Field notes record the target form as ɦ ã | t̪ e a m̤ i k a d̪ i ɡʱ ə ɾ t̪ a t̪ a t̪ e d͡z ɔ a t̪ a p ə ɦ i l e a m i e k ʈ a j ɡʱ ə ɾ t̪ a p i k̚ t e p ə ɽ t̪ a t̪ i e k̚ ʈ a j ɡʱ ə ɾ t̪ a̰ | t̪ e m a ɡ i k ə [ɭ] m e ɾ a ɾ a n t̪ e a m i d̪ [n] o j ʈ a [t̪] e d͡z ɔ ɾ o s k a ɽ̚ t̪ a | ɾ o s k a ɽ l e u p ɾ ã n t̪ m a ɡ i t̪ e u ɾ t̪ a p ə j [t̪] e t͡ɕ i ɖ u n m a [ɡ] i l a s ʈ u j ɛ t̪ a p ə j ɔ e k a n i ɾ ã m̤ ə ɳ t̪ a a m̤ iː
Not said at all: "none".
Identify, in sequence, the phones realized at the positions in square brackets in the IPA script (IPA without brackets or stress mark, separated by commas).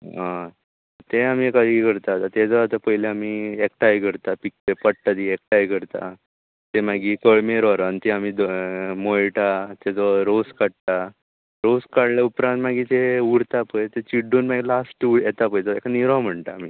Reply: ɭ, m, t̪, t̪, ɡ